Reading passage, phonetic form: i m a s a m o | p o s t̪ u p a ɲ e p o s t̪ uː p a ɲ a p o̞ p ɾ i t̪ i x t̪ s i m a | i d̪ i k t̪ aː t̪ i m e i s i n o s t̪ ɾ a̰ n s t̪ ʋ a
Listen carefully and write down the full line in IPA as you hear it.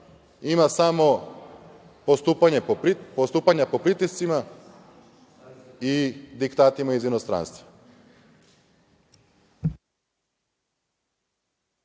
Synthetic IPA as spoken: i m a s a m o | p o s t̪ u p a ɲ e p o s t̪ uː p a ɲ a p o̞ p ɾ i t̪ i s t̪ s i m a | i d̪ i k t̪ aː t̪ i m a i z i n o s t̪ ɾ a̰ n s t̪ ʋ a